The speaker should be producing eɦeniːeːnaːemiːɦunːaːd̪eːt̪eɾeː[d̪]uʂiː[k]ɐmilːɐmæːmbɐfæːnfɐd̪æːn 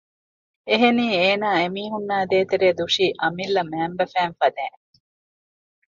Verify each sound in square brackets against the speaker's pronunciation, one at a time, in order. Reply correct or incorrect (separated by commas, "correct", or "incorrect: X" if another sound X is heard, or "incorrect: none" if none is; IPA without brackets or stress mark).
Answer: correct, incorrect: ʔ